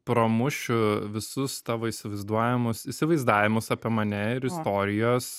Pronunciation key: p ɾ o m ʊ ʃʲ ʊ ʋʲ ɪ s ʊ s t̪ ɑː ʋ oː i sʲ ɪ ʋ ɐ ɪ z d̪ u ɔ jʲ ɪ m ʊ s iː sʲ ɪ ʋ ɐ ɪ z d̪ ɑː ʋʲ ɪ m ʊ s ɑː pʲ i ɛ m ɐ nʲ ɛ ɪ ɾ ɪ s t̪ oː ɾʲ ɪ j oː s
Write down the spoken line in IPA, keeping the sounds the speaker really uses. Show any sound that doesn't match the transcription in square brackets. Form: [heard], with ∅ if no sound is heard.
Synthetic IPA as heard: p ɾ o m ʊ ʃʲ ʊ ʋʲ ɪ s ʊ s t̪ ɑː ʋ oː i sʲ ɪ ʋ ɐ ɪ z d̪ u ɔ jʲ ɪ m ʊ s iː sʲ ɪ ʋ ɐ ɪ z d̪ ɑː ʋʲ ɪ m ʊ s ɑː pʲ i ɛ m ɐ nʲ ɛ ɪ ɾ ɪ s t̪ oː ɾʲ ɪ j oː s